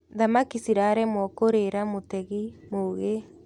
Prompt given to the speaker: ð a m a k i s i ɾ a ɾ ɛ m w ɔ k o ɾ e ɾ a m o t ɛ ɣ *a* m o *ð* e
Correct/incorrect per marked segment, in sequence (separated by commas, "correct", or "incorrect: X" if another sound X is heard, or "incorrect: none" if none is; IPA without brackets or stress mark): incorrect: i, incorrect: ɣ